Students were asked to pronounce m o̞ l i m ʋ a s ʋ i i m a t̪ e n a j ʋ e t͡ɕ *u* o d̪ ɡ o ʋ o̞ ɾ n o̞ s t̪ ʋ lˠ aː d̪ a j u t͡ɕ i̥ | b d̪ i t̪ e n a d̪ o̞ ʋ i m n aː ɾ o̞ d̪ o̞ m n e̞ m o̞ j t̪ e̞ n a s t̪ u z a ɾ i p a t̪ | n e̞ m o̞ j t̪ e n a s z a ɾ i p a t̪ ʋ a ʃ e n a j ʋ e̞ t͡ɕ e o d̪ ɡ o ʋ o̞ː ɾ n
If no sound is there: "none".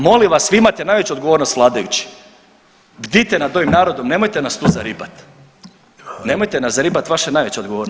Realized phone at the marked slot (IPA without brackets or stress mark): u